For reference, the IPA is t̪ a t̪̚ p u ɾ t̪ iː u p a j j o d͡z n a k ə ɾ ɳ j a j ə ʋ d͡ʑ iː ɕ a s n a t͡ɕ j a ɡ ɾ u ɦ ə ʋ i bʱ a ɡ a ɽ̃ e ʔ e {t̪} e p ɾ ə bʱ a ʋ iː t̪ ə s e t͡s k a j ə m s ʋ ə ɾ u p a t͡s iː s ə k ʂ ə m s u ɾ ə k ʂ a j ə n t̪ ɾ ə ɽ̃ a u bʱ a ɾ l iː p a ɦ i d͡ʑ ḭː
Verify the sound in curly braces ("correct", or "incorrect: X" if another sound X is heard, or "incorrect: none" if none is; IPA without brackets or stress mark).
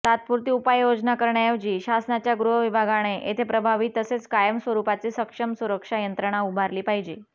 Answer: incorrect: t̪ʰ